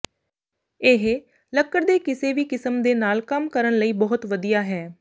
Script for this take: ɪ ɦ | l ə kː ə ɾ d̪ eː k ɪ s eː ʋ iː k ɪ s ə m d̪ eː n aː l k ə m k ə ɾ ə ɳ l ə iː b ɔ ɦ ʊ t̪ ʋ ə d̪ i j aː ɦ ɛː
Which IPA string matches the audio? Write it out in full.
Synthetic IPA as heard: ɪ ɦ | l ə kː ə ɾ d̪ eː k ɪ s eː ʋ iː k ɪ s ə m d̪ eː n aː l k ə m k ə ɾ ə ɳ l ə iː b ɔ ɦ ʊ t̪ ʋ ə d̪ i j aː ɦ ɛː